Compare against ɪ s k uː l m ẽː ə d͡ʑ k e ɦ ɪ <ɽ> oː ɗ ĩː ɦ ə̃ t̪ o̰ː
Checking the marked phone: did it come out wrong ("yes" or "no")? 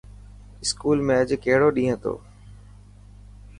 no